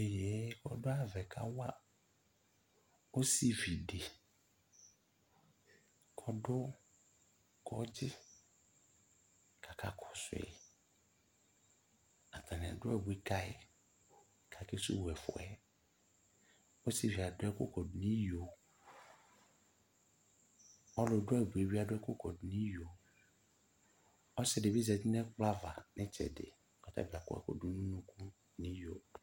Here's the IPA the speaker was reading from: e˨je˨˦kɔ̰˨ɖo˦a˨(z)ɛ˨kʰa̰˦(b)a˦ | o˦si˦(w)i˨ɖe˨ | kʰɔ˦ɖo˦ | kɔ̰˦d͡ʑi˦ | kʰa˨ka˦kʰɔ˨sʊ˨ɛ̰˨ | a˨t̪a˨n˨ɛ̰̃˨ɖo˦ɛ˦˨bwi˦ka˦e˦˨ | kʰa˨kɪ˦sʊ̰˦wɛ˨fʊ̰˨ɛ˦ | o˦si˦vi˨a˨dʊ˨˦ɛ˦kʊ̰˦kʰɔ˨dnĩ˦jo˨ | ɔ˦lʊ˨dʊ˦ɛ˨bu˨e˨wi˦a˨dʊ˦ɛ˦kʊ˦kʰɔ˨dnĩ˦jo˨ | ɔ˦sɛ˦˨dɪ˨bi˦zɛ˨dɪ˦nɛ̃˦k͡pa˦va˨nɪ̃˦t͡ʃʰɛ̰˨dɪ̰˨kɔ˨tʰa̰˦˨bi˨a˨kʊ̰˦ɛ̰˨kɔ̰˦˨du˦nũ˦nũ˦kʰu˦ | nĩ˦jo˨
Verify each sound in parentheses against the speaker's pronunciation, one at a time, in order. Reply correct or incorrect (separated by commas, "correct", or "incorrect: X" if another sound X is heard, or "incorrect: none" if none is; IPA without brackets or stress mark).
incorrect: v, incorrect: w, incorrect: v